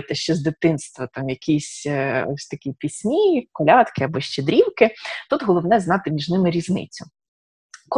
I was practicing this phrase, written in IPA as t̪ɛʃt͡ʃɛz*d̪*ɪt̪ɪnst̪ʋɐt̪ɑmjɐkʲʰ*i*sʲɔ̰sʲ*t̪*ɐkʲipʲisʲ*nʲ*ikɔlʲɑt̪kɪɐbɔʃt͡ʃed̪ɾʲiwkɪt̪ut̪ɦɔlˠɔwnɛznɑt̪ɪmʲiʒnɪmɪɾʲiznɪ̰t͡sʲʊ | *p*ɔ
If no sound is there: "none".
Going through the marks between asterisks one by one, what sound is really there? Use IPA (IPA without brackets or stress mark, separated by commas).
d̪, i, t̪, mʲ, k